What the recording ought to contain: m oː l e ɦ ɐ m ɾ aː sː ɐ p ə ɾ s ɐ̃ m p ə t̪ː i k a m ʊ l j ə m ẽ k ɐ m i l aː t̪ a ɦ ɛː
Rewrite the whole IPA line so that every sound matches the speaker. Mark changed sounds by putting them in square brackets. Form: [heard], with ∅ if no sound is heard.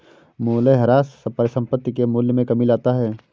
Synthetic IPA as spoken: m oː l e ɦ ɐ [∅] ɾ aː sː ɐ p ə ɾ s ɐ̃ m p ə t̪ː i k [e] m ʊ l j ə m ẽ k ɐ m i l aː t̪ a ɦ ɛː